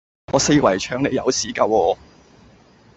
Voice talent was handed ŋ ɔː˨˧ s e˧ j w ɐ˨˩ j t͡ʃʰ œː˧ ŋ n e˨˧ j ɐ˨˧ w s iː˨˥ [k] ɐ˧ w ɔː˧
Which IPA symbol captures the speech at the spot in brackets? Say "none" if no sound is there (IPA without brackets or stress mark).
k